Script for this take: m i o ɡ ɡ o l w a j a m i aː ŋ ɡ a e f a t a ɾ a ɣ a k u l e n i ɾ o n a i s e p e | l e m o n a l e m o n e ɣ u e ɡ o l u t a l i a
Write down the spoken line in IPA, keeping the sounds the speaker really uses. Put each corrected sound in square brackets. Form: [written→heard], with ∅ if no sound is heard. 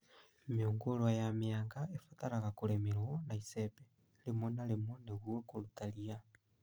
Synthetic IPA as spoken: m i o [ɡ→ŋ] ɡ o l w a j a m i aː ŋ ɡ a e f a t a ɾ a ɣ a k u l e [n→m] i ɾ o n a i s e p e | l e m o n a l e m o n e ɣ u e [ɡ→k] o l u t a l i a